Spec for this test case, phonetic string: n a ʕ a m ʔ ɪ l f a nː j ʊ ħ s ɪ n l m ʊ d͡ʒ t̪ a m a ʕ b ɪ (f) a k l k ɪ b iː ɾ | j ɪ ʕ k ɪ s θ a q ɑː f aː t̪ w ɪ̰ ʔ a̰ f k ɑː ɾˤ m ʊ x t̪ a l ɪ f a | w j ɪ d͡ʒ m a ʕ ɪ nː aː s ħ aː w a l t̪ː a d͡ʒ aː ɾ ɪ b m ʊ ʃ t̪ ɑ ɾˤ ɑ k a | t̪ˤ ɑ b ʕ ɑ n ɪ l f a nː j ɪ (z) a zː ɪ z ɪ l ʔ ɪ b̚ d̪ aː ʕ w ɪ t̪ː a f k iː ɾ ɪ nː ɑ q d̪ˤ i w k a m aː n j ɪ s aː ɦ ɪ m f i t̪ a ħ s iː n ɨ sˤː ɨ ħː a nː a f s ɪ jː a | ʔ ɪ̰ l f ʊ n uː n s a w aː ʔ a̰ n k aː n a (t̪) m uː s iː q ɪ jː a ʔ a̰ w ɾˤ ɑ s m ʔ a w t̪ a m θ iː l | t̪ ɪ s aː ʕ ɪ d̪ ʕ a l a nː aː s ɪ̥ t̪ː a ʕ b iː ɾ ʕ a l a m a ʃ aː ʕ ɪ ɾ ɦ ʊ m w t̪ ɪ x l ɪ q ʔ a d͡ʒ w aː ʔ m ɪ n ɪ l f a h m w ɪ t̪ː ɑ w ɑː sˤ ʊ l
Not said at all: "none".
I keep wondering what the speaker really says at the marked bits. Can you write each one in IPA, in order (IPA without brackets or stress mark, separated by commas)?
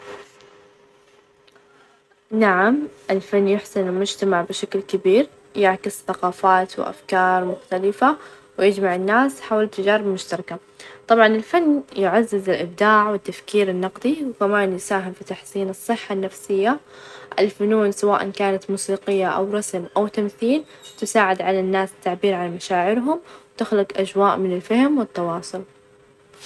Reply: ʃ, ʕ, t̪